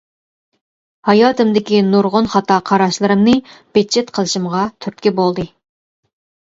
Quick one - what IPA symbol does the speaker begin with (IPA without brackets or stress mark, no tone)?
h